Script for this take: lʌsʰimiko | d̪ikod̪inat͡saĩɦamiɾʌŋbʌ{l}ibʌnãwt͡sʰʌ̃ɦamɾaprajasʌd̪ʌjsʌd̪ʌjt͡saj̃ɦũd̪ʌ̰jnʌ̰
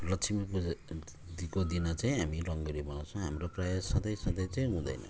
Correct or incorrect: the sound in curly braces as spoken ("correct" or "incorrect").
incorrect